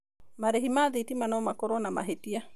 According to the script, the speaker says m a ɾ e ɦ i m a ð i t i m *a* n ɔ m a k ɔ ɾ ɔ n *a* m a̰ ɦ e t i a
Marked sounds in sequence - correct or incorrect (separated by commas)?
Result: correct, correct